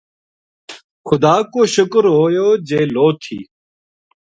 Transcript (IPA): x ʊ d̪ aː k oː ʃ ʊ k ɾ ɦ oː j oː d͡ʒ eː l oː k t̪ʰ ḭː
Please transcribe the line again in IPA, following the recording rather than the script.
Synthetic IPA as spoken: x ʊ d̪ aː k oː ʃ ʊ k ɾ ɦ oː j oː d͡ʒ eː l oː t̪ʰ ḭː